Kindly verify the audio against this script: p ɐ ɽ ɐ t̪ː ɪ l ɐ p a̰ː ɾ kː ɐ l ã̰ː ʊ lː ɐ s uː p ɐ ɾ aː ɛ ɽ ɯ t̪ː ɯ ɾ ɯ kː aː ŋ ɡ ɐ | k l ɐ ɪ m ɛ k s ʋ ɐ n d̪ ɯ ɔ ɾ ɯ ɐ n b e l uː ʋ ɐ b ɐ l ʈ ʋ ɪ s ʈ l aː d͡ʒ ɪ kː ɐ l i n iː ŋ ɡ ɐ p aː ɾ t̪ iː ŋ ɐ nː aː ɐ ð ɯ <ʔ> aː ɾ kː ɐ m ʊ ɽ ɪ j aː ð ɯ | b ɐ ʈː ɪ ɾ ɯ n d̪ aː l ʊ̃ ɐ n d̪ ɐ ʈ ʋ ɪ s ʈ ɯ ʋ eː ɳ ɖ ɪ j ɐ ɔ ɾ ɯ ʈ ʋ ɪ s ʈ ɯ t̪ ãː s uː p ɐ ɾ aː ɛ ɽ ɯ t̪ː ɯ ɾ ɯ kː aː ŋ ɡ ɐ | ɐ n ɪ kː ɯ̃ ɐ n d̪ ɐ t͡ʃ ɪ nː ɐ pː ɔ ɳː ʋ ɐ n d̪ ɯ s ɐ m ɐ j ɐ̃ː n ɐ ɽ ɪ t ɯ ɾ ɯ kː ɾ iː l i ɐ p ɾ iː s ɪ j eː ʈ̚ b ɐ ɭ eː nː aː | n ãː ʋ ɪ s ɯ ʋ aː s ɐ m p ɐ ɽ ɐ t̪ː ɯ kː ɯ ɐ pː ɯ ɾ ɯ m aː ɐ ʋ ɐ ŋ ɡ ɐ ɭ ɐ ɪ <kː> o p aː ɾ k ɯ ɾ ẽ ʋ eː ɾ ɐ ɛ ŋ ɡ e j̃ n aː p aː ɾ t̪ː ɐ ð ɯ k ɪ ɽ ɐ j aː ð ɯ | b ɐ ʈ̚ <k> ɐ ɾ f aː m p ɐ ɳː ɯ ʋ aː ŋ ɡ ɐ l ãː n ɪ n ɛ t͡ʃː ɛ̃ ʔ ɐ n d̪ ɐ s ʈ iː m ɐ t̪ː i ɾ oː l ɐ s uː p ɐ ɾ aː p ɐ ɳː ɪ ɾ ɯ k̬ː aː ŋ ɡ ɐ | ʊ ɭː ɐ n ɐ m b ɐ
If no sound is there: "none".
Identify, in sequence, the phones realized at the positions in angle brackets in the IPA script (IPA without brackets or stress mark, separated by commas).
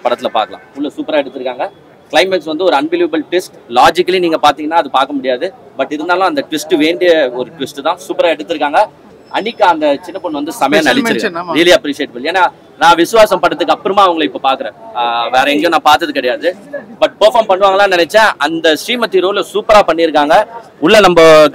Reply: p, pː, p